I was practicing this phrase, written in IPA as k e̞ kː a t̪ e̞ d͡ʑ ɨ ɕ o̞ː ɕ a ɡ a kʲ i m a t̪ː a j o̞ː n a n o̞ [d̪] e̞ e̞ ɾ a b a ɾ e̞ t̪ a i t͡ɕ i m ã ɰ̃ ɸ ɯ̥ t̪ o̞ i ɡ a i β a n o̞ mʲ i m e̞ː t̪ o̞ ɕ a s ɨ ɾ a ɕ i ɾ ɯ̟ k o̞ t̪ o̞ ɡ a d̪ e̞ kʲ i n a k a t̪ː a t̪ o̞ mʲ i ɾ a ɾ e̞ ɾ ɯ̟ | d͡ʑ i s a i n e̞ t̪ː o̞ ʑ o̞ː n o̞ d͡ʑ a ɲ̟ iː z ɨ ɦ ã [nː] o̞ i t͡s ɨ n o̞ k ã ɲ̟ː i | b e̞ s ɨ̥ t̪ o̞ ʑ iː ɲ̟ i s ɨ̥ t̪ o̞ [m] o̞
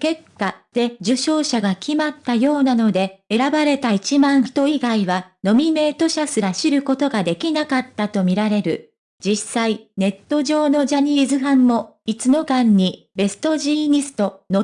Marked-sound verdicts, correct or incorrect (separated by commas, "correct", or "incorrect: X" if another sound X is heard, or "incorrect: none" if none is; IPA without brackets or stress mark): correct, incorrect: mː, incorrect: n